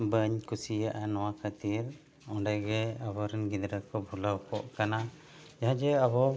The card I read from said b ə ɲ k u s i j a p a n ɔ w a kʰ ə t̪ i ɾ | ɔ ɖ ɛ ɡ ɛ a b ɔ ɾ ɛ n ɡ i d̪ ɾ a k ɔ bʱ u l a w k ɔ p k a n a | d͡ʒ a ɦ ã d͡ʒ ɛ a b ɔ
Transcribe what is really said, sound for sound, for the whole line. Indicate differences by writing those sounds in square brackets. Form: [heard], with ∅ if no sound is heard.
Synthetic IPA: b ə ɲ k u s i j a [ʔ] a n ɔ w a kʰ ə t̪ i ɾ | ɔ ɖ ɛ ɡ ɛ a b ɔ ɾ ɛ n ɡ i d̪ ɾ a k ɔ bʱ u l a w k ɔ [ʔ] k a n a | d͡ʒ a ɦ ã d͡ʒ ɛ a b ɔ